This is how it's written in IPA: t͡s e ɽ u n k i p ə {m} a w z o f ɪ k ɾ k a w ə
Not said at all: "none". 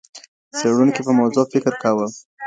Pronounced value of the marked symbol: m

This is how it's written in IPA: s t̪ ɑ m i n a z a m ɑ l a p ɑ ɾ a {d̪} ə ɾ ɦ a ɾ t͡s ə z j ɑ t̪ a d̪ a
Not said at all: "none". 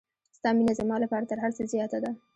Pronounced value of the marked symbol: t̪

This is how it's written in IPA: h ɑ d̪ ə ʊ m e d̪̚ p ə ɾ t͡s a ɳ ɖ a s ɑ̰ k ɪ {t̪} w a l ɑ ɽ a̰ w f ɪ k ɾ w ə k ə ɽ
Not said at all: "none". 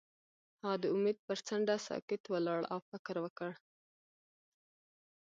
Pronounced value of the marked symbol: t̪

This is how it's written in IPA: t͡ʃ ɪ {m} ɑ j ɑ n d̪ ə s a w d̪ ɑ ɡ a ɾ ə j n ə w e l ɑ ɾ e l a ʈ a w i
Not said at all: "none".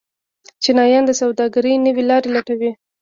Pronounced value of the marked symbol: n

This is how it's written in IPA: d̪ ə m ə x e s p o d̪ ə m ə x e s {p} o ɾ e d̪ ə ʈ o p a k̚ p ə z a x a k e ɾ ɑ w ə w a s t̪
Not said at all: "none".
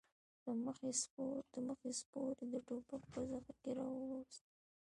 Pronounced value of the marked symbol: p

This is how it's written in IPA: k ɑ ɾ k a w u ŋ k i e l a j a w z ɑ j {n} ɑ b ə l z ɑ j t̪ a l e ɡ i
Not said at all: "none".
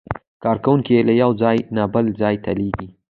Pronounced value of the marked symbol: n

